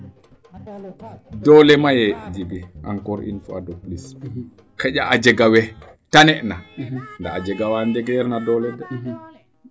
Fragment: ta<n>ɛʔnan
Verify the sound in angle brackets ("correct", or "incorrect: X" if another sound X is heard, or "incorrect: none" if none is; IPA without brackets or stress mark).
correct